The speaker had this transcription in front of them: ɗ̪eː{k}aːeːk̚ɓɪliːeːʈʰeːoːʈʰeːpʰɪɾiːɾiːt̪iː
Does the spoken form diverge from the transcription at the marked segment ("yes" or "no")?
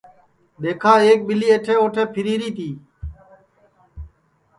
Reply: yes